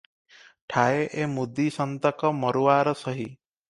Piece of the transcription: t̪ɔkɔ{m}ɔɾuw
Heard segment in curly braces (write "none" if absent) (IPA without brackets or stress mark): m